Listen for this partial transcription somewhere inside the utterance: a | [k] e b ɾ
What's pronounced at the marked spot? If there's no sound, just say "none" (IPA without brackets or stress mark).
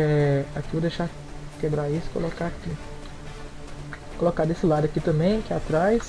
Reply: k